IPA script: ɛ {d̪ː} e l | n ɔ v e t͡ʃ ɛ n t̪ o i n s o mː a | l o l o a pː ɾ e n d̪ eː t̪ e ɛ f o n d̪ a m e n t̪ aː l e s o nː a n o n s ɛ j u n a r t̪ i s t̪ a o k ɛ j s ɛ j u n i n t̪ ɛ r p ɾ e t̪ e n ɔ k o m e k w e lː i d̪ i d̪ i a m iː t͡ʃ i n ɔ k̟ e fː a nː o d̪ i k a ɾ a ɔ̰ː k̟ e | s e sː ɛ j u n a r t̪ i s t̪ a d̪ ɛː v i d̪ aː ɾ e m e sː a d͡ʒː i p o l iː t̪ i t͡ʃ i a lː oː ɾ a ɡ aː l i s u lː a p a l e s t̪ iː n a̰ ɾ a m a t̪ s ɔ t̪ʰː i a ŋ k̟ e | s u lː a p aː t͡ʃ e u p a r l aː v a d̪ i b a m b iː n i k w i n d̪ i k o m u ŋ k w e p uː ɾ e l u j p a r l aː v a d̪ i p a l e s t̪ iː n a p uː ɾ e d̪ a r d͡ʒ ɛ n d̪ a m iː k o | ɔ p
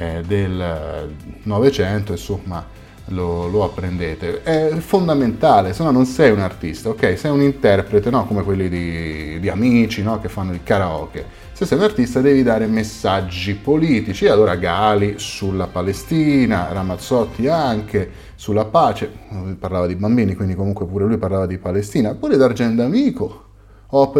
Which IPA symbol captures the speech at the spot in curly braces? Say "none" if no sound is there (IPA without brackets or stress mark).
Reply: d̪